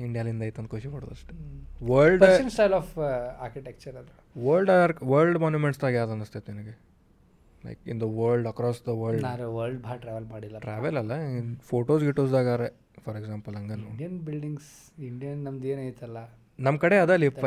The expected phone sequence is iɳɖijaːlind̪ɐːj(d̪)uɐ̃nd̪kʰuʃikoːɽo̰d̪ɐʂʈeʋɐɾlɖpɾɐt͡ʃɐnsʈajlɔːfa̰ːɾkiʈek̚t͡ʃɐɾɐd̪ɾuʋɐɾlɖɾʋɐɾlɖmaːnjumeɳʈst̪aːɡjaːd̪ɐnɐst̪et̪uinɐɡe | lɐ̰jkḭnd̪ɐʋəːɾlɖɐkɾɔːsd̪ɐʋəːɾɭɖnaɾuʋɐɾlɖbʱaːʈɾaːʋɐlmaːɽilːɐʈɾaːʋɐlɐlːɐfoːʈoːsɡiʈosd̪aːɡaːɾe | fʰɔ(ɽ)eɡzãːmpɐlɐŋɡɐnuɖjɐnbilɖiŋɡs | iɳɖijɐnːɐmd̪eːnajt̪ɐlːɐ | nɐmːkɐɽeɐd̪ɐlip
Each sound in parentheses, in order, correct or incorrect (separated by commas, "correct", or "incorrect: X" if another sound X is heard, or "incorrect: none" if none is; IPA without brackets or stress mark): incorrect: t̪, incorrect: ɾ